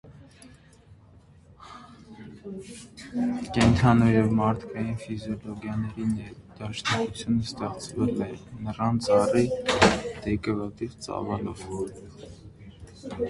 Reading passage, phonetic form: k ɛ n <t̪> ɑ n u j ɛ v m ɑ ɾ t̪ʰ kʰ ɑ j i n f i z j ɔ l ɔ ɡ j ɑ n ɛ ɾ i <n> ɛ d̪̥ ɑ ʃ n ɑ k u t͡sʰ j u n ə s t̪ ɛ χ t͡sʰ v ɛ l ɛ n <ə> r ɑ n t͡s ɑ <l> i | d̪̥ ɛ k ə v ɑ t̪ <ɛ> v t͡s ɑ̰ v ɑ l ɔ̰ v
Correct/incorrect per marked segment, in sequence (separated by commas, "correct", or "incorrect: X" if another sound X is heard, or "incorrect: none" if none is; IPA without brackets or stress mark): incorrect: t̪ʰ, correct, correct, incorrect: r, incorrect: i